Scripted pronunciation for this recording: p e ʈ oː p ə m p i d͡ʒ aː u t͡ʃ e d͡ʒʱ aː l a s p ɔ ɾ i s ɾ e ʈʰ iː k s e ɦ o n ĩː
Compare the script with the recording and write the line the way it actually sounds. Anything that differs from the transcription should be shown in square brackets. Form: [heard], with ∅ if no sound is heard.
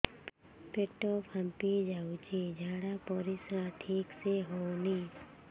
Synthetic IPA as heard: p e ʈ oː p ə m p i d͡ʒ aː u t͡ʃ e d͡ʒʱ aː [ɽ] a [∅] p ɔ ɾ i s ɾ [a] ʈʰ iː k s e ɦ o n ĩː

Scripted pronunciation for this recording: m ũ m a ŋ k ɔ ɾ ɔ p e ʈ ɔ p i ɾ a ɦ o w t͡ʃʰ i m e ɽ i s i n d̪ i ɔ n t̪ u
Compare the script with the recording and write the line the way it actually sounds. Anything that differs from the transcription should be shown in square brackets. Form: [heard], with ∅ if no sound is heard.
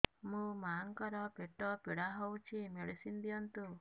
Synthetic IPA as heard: m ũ m a ŋ k ɔ ɾ ɔ p e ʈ ɔ p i [ɽ] a ɦ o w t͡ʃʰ i m e ɽ i s i n d̪ i ɔ n t̪ u

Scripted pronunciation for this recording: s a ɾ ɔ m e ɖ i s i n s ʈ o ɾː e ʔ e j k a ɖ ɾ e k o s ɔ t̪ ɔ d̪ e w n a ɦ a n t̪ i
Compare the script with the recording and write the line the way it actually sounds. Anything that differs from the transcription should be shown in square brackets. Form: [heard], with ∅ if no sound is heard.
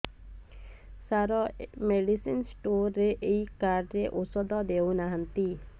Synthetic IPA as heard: s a ɾ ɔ m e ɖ i s i n s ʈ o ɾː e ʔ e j k a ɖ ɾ e [ʔ] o s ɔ [d̪] ɔ d̪ e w n a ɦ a n t̪ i

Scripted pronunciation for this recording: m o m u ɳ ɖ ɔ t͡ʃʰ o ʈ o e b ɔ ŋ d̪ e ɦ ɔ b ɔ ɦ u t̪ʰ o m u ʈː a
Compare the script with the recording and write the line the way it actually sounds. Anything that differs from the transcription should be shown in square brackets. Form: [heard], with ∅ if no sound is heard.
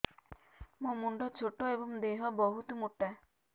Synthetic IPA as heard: m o m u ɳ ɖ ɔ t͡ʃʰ o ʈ o e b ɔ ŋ d̪ e ɦ ɔ b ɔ ɦ u [t̪] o m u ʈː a

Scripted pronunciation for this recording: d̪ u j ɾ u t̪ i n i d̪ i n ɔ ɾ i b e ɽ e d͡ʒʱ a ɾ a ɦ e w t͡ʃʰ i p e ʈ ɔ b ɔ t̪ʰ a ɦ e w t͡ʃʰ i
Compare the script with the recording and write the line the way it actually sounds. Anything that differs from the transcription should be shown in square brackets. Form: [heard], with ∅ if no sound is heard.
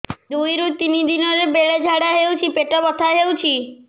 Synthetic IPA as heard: d̪ u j ɾ u t̪ i n i d̪ i n ɔ ɾ [e] b e [ɭ] e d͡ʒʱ a [ɽ] a ɦ e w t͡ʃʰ i p e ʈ ɔ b ɔ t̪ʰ a ɦ e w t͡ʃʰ i

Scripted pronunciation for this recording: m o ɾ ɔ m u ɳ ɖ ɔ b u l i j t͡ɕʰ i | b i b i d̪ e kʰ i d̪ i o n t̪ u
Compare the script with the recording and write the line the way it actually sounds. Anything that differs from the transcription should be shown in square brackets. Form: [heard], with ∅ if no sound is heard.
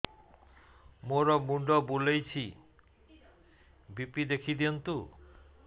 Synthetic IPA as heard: m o ɾ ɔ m u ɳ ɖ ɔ b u l [e] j t͡ɕʰ i | b i [p] i d̪ e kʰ i d̪ i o n t̪ u

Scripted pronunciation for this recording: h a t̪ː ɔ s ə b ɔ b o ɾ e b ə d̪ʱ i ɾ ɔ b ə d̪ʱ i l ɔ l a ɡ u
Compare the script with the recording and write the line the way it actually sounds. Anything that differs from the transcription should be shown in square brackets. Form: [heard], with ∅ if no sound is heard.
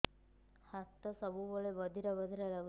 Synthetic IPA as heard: h a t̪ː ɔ s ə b [u] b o [ɭ] e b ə d̪ʱ i ɾ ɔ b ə d̪ʱ i [ɾ] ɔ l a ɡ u

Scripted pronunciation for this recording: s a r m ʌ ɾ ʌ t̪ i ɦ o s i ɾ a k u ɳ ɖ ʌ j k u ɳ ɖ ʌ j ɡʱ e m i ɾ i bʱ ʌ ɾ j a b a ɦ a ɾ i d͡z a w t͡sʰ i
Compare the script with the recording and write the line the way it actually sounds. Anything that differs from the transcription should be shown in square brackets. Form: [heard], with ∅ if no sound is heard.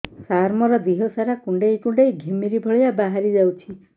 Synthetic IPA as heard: s a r m ʌ ɾ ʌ [d̪] i ɦ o s [a] ɾ a k u ɳ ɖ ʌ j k u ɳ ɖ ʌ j ɡʱ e m i ɾ i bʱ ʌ [ɭ] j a b a ɦ a ɾ i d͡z a w t͡sʰ i

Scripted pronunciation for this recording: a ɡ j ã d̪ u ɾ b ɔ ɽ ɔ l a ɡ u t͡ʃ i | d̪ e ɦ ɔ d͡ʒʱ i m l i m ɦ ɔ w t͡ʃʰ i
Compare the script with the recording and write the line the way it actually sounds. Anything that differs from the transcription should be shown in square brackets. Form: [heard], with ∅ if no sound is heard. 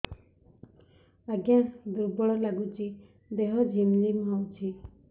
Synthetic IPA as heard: a ɡ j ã d̪ u ɾ b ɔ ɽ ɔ l a ɡ u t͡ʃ i | d̪ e ɦ ɔ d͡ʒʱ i m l i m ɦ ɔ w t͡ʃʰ i

